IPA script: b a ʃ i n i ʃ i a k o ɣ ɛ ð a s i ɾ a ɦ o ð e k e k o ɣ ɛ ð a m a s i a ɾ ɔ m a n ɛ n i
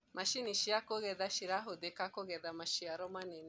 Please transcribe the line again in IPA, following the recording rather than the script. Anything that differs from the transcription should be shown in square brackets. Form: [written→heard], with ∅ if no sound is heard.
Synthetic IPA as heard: [b→m] a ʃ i n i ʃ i a k o ɣ ɛ ð a [s→ʃ] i ɾ a ɦ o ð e k [e→a] k o ɣ ɛ ð a m a [s→ʃ] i a ɾ ɔ m a n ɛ n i